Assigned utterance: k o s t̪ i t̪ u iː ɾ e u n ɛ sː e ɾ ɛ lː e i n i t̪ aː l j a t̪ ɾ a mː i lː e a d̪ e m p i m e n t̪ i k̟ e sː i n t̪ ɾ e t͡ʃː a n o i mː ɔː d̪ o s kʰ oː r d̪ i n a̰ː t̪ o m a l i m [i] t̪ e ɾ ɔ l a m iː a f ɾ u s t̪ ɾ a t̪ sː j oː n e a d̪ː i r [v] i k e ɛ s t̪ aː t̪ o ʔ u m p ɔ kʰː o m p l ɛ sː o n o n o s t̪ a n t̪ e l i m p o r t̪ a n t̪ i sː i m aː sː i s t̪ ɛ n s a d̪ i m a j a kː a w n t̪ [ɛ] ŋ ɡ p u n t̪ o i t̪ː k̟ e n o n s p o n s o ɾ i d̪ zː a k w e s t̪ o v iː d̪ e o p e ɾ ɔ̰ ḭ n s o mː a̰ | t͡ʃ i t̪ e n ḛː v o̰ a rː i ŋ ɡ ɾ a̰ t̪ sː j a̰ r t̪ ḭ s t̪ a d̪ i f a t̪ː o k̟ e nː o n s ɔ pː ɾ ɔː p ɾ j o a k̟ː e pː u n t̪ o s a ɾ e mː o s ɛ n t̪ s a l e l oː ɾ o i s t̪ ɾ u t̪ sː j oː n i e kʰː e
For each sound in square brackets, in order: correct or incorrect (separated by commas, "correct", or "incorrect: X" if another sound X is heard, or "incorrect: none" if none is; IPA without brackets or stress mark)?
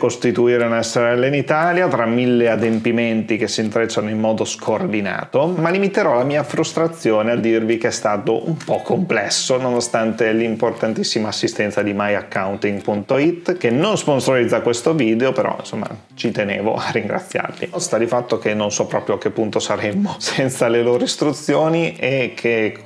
correct, correct, incorrect: i